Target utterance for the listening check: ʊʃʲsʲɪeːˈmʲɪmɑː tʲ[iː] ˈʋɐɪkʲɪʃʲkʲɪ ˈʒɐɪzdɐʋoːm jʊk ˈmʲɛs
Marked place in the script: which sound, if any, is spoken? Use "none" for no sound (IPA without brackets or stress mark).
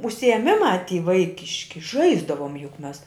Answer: iː